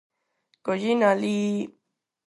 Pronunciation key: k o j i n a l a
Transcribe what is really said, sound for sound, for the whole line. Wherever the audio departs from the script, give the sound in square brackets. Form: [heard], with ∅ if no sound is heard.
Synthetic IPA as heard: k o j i n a l [i]